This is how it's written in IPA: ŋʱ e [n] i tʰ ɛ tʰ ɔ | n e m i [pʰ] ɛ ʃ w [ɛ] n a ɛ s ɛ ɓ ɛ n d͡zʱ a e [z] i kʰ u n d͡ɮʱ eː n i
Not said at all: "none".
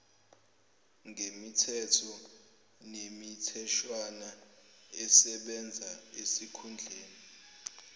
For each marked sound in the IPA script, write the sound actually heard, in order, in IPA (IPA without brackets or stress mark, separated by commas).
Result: m, tʰ, a, s